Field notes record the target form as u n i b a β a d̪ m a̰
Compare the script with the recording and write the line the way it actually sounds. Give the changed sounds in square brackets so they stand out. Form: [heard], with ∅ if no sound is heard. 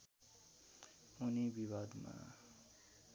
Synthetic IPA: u n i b [i] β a d̪ m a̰